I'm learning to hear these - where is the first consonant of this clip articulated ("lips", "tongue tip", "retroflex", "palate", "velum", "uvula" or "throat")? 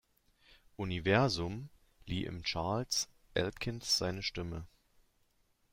throat